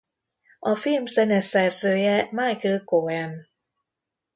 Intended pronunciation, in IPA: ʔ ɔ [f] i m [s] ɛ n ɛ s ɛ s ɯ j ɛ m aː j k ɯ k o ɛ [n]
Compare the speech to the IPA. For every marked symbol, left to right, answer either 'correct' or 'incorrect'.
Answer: correct, correct, correct

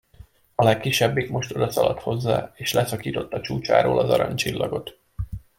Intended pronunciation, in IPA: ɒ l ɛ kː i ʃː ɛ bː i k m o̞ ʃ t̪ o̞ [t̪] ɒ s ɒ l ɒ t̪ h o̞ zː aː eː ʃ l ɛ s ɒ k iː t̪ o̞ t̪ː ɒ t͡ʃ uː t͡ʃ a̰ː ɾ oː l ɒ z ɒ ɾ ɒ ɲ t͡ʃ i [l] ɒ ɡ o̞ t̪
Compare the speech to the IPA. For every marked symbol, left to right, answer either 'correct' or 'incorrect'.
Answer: incorrect, incorrect

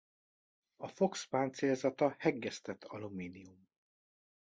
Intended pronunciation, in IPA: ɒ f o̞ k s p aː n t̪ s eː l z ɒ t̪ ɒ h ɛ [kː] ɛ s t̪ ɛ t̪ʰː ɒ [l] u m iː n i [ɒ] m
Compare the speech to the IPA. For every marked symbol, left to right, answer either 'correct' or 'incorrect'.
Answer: incorrect, correct, incorrect

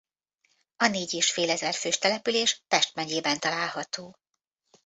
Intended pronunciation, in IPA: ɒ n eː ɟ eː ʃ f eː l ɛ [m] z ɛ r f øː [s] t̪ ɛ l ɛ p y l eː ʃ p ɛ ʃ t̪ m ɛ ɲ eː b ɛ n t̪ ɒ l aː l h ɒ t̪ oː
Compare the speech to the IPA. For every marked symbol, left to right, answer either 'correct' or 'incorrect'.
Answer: incorrect, incorrect

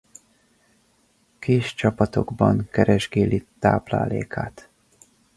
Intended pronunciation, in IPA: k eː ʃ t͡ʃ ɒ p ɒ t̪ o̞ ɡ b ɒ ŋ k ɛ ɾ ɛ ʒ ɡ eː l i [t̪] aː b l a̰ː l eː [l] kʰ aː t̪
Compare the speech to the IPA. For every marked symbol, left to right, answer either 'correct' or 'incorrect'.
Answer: correct, incorrect

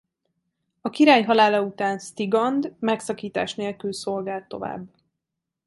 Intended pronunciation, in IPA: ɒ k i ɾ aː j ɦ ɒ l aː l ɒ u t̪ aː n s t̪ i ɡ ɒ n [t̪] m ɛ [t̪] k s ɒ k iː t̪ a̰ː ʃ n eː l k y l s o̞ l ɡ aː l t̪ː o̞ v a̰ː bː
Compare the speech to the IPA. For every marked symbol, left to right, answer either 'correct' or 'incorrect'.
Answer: incorrect, incorrect

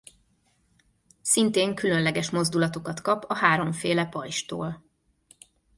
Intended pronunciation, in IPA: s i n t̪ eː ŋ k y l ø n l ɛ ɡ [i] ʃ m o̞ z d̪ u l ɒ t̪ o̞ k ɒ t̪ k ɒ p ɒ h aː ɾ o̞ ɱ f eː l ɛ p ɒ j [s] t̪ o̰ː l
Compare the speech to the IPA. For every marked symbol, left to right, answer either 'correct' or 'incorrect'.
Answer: incorrect, incorrect

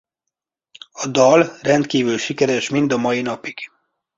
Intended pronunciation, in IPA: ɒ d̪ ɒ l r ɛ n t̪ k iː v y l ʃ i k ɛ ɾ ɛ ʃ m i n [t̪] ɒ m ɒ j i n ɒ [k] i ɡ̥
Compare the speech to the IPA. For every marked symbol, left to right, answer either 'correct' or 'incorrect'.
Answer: incorrect, incorrect

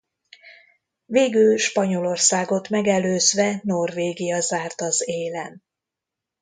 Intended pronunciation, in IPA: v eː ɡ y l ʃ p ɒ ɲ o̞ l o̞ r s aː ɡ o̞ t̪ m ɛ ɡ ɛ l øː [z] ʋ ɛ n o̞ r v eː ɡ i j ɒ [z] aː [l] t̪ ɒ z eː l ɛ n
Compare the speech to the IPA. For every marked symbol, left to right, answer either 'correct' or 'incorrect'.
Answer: correct, correct, incorrect

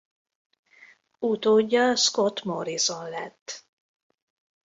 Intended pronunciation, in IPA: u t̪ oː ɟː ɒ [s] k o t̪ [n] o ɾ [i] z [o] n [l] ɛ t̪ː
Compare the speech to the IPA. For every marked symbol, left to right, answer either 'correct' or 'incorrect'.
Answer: correct, incorrect, correct, correct, correct

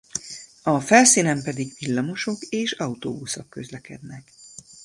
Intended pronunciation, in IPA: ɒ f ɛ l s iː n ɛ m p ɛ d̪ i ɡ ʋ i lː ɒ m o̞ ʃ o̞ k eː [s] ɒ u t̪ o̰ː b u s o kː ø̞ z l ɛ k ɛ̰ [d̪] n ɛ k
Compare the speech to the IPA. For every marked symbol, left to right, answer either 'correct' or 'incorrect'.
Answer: incorrect, correct

